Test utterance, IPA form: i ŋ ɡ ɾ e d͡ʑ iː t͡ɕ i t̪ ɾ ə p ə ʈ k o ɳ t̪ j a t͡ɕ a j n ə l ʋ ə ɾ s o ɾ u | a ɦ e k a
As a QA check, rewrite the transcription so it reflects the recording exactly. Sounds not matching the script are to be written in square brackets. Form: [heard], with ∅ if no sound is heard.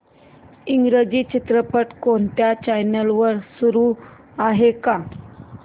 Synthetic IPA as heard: i ŋ ɡ ɾ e d͡ʑ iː t͡ɕ i t̪ ɾ ə p ə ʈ k o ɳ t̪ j a t͡ɕ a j n ə l ʋ ə ɾ s [u] ɾ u | a ɦ e k a